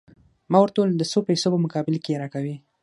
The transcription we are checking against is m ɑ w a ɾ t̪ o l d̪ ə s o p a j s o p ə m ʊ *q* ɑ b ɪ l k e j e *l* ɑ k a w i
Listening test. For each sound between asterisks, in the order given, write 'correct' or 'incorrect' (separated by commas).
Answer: incorrect, incorrect